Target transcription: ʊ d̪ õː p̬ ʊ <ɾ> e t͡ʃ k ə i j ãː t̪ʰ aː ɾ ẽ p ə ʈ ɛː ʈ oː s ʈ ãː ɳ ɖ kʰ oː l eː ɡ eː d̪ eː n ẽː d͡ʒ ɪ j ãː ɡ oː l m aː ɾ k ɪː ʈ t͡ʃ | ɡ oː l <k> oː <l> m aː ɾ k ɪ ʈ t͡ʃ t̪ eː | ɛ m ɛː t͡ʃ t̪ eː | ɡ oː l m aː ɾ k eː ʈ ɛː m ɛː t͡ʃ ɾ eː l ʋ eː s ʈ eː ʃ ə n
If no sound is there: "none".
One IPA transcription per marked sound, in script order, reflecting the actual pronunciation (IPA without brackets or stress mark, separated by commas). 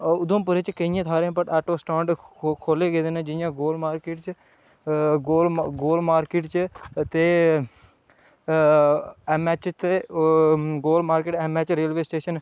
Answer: ɾ, ɡ, l